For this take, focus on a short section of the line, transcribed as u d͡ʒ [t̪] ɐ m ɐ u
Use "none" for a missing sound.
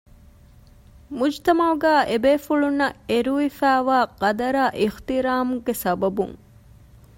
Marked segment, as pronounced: t̪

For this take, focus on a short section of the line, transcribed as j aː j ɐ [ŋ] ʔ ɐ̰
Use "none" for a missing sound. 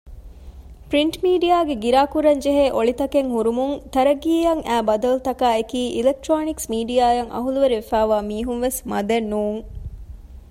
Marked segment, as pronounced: ŋ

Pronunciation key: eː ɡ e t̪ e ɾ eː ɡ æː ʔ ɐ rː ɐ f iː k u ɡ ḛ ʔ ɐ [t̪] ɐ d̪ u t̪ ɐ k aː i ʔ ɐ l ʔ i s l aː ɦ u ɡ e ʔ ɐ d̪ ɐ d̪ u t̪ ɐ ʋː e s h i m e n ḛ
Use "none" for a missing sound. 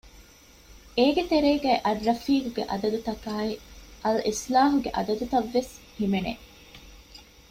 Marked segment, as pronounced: d̪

